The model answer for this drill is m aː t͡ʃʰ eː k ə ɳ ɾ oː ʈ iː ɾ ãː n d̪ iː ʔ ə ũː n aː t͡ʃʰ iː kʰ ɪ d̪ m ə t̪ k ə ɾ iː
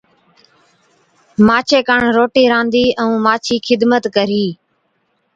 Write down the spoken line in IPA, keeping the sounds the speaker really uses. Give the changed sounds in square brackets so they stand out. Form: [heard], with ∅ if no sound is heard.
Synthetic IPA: m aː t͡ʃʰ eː k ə ɳ ɾ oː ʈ iː ɾ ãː n d̪ iː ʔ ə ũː [m] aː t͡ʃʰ iː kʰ ɪ d̪ m ə t̪ k ə ɾ iː